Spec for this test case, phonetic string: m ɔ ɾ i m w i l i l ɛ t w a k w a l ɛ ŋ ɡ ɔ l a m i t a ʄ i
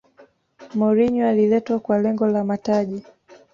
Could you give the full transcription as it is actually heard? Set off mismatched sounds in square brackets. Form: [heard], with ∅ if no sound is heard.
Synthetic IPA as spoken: m ɔ ɾ i [ɲ] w [a] l i l ɛ t w a k w a l ɛ ŋ ɡ ɔ l a m [a] t a ʄ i